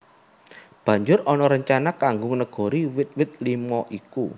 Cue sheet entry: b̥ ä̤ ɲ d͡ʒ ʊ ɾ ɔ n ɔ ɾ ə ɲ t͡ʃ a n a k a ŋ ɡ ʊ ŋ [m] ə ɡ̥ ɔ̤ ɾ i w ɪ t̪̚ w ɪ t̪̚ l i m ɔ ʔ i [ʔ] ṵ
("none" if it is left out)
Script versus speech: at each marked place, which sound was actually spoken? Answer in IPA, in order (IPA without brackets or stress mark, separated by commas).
n, k